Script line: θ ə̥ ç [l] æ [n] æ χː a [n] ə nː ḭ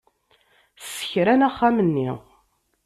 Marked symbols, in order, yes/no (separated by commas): no, yes, no